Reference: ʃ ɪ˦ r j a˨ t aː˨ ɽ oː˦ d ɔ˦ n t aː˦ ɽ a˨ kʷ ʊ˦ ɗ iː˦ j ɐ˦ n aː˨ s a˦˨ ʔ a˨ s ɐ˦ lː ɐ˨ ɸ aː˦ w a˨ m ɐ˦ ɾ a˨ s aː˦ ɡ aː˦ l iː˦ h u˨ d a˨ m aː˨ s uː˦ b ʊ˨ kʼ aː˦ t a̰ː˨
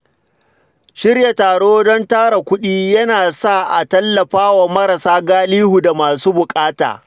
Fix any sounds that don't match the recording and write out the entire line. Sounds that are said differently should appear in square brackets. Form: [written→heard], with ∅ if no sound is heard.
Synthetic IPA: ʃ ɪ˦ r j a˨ t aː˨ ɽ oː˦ d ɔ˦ n t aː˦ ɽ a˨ kʷ ʊ˦ ɗ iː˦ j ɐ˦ n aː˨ s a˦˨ ʔ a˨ [s→t] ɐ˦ lː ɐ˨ ɸ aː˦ w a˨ m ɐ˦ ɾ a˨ s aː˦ ɡ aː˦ l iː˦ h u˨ d a˨ m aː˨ s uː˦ b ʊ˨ kʼ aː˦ t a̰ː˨